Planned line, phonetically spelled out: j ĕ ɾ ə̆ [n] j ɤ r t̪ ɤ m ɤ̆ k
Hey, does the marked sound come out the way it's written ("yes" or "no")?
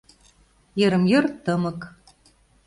no